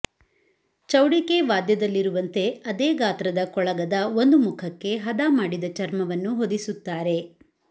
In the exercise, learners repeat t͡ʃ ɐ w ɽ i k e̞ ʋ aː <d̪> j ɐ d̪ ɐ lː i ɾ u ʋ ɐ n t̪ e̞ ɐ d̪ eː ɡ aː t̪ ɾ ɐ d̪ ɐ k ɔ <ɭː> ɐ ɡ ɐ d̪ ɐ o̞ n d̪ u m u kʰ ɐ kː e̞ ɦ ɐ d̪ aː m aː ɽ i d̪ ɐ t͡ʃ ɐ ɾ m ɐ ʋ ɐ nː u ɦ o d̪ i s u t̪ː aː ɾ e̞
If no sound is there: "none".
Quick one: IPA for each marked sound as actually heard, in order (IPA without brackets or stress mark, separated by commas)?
d̪, ɭ